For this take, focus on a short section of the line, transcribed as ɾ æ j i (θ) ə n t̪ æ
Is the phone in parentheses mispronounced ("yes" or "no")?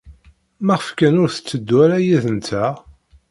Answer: yes